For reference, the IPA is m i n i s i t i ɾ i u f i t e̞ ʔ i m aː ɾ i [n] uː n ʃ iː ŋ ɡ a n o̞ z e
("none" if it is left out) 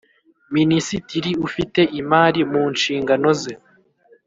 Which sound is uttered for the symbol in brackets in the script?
m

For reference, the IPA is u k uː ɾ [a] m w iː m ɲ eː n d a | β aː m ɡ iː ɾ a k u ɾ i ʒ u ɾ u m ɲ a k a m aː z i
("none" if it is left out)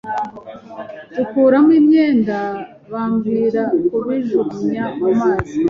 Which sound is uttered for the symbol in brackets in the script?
a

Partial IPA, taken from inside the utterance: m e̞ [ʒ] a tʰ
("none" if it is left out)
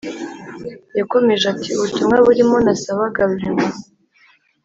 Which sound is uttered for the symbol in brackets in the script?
ʒ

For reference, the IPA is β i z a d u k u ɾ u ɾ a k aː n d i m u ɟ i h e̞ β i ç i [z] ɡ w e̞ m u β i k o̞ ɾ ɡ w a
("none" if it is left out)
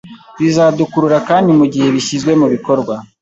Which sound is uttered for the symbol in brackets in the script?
z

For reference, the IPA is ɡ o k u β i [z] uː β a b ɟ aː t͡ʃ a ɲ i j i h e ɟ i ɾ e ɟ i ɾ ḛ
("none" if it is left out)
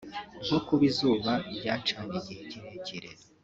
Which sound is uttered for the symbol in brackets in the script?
z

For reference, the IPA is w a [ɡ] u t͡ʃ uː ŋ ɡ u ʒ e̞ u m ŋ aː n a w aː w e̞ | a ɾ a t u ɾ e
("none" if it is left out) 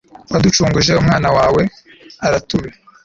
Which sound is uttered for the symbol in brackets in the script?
d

